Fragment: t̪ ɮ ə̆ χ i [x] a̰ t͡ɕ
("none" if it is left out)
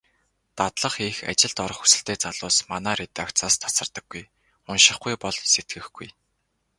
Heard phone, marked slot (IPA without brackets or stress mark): x